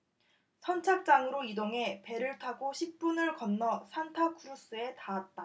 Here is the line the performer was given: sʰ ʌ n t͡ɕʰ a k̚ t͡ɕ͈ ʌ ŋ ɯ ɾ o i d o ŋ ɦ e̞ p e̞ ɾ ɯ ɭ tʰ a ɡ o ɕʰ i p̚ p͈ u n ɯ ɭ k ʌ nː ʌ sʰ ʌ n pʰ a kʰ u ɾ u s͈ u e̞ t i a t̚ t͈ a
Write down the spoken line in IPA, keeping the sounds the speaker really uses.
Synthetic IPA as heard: sʰ ʌ n t͡ɕʰ a k̚ t͡ɕ͈ a ŋ ɯ ɾ o i d o ŋ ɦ e̞ p e̞ ɾ ɯ ɭ tʰ a ɡ o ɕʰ i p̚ p͈ u n ɯ ɭ k ʌ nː ʌ sʰ a n tʰ a kʰ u ɾ u s͈ ɯ e̞ t a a t̚ t͈ a